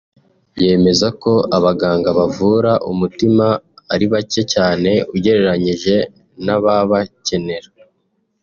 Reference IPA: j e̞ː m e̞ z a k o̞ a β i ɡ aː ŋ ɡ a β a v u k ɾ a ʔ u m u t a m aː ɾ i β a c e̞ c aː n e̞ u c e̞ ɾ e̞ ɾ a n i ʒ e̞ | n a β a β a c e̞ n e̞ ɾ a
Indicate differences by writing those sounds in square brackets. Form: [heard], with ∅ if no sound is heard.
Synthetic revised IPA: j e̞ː m e̞ z a k o̞ a β [a] ɡ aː ŋ ɡ a β a v u [∅] ɾ a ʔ u m u t [i] m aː ɾ i β a c e̞ c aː n e̞ u [ɟ] e̞ ɾ e̞ ɾ a [ɲ] i ʒ e̞ | n a β a β a c e̞ n e̞ ɾ a